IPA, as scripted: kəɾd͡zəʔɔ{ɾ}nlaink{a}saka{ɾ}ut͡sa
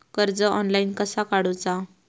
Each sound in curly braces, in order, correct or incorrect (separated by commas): incorrect, incorrect, incorrect